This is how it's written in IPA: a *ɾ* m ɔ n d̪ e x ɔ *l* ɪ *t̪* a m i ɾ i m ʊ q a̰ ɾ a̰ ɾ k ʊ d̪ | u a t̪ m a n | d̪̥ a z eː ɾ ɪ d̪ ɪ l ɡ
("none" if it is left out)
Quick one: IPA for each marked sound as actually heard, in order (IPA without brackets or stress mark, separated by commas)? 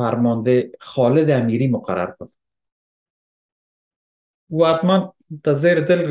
ɾ, l, d̪